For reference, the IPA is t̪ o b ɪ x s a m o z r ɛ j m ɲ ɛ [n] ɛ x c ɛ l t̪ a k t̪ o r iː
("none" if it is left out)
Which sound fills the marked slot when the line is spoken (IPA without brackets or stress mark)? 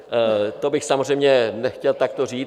n